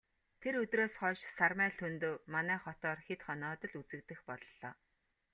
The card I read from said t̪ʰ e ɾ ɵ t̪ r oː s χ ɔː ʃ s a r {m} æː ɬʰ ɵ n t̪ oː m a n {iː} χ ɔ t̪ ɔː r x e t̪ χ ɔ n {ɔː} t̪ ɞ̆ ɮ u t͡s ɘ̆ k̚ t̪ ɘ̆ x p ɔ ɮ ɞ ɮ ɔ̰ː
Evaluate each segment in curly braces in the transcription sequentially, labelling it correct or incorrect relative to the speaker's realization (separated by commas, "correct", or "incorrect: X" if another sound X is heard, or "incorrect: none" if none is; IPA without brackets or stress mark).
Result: correct, incorrect: æː, correct